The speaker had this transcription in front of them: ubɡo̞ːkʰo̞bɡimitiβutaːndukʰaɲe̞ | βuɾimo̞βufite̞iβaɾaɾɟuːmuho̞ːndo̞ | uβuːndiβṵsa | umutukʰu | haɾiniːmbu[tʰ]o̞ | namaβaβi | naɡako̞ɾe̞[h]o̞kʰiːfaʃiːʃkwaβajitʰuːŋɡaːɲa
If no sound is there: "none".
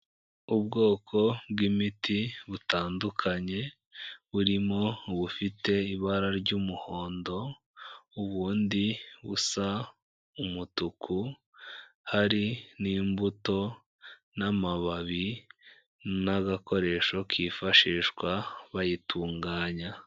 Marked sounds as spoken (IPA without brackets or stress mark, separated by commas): t, ʃ